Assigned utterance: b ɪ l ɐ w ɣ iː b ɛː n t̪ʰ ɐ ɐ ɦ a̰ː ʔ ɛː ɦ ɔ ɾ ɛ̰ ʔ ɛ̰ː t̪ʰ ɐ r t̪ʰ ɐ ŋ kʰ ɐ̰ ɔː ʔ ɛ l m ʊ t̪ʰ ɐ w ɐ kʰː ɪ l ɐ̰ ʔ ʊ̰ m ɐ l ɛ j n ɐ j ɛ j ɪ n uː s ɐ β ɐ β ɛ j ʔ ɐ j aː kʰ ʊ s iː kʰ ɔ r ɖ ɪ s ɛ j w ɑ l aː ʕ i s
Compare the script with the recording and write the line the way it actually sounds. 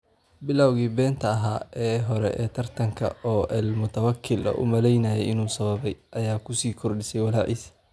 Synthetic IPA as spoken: b ɪ l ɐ w ɣ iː b ɛː n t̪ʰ ɐ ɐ ɦ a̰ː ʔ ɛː ɦ ɔ ɾ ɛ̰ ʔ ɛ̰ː t̪ʰ ɐ r t̪ʰ ɐ ŋ kʰ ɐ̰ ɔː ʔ ɛ l m ʊ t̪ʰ ɐ w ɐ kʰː ɪ l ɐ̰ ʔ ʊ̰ m ɐ l ɛ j n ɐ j ɛ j ɪ n uː s ɐ β ɐ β ɛ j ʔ ɐ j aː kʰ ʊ s iː kʰ ɔ r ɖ ɪ s ɛ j w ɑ l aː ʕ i s